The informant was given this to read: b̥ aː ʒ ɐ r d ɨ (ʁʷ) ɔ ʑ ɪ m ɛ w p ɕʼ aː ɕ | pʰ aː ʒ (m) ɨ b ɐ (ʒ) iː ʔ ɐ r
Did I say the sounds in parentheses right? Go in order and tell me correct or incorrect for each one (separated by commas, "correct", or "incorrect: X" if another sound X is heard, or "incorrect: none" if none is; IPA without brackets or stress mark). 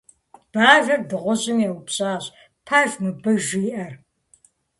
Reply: correct, correct, correct